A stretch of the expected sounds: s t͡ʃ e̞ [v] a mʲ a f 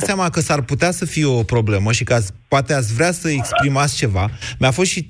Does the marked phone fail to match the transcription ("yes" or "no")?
no